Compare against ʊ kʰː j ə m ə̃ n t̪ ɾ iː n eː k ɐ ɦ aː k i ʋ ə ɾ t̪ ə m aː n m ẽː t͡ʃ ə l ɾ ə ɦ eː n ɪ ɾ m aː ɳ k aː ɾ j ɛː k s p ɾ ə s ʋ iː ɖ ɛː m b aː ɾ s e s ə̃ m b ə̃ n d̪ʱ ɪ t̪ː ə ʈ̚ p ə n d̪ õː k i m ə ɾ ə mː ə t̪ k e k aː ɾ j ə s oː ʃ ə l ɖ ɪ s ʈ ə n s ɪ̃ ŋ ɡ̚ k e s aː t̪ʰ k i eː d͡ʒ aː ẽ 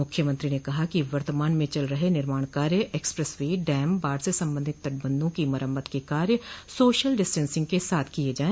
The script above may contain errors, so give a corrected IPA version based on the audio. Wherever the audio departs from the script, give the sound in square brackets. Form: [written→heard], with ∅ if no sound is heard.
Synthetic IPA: ʊ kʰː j ə m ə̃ n t̪ ɾ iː n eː k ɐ ɦ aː k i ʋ ə ɾ t̪ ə m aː n m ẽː t͡ʃ ə l ɾ ə ɦ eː n ɪ ɾ m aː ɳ k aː ɾ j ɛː k s p ɾ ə s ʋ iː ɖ ɛː m b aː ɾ s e s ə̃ m b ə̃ n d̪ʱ ɪ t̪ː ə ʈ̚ [p→b] ə n d̪ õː k i m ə ɾ ə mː ə t̪ k e k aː ɾ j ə s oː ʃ ə l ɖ ɪ s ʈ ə n s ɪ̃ ŋ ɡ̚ k e s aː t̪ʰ k i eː d͡ʒ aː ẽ